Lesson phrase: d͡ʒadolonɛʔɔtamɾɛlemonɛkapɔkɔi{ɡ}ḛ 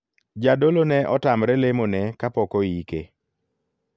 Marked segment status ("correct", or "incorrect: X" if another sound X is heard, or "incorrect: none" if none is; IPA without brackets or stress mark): incorrect: k